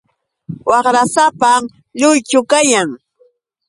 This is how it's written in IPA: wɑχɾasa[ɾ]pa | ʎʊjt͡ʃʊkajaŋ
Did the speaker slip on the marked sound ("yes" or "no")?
yes